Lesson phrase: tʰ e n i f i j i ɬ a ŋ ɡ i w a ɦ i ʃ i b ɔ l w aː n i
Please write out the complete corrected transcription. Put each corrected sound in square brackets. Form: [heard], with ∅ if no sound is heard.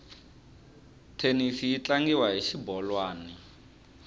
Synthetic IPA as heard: tʰ e n i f i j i [t͡ɬ] a ŋ ɡ i w a ɦ i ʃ i b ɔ l w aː n i